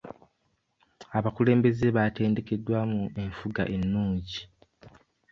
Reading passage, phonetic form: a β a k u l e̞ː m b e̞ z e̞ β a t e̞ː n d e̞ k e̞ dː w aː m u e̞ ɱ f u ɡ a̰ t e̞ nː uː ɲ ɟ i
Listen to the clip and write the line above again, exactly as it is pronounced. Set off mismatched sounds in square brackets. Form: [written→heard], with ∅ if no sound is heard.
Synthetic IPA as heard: a β a k u l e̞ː m b e̞ z e̞ β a t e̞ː n d e̞ k e̞ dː w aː m u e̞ ɱ f u ɡ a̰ [t→ʔ] e̞ nː uː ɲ ɟ i